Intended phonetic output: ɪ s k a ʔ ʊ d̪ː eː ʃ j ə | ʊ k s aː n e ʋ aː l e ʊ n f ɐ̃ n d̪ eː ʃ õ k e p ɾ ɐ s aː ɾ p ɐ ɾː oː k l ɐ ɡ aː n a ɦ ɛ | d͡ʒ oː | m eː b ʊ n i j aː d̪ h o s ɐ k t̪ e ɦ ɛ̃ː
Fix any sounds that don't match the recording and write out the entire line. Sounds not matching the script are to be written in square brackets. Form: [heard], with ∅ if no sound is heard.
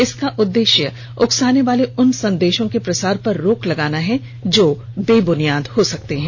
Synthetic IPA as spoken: ɪ s k a ʔ ʊ d̪ː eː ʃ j ə | ʊ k s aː n e ʋ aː l e ʊ n [s] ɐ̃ n d̪ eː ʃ õ k e p ɾ ɐ s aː ɾ p ɐ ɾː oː k l ɐ ɡ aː n a ɦ ɛ | d͡ʒ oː | [b] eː b ʊ n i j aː d̪ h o s ɐ k t̪ e ɦ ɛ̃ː